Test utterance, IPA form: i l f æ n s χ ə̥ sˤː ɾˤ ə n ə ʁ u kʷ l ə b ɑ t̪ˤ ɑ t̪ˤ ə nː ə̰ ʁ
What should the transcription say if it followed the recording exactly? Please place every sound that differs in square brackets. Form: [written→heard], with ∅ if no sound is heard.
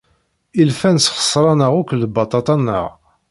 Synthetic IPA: i l f æ n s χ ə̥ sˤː ɾˤ [ə→ɑ] n ə ʁ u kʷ l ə b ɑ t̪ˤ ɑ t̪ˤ [ə→ɑ] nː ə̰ ʁ